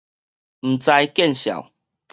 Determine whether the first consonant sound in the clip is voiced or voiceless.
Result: voiced